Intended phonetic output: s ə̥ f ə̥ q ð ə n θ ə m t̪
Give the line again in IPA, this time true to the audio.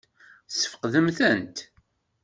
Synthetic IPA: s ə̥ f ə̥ q ð ə m θ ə n t̪